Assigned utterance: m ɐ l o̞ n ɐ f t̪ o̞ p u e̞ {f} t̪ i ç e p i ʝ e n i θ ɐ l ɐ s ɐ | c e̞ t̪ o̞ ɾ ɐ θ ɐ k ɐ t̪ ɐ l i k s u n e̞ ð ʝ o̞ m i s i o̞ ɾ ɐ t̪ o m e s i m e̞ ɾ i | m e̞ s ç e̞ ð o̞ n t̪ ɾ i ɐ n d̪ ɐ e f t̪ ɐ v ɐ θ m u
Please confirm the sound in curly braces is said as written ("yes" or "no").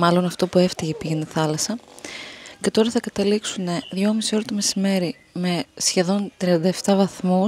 yes